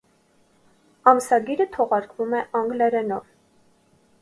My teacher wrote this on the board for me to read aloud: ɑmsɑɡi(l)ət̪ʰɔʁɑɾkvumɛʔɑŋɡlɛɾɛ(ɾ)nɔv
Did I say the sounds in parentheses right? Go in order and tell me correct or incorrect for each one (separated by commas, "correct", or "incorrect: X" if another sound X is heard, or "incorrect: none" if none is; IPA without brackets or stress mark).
incorrect: ɾ, incorrect: none